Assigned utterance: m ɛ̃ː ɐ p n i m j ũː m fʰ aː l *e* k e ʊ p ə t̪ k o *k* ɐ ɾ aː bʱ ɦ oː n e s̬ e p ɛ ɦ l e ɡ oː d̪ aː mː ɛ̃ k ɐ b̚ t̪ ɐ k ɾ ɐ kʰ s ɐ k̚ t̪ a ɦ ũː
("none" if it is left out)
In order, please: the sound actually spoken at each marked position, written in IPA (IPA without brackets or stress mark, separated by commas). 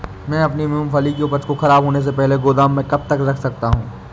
i, x